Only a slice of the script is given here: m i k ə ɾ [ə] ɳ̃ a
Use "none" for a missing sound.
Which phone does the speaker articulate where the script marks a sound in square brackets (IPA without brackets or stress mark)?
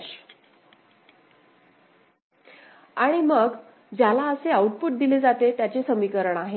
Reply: ə